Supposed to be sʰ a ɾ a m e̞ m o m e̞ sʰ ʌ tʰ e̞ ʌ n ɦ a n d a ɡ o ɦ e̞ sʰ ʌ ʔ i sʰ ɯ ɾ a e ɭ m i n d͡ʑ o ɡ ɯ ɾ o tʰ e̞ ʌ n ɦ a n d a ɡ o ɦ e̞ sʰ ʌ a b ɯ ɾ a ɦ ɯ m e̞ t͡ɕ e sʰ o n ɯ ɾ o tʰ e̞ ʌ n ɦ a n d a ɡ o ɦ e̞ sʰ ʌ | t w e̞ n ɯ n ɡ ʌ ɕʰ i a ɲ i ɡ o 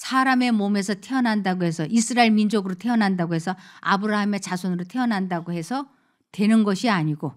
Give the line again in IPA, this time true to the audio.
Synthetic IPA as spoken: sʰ a ɾ a m e̞ m o m e̞ sʰ ʌ tʰ e̞ ʌ n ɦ a n d a ɡ o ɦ e̞ sʰ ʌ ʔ i sʰ ɯ ɾ a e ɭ m i n d͡ʑ o ɡ ɯ ɾ o tʰ e̞ ʌ n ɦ a n d a ɡ o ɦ e̞ sʰ ʌ a b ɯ ɾ a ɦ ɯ m e̞ t͡ɕ a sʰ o n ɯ ɾ o tʰ e̞ ʌ n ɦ a n d a ɡ o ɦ e̞ sʰ ʌ | t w e̞ n ɯ n ɡ ʌ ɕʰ i a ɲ i ɡ o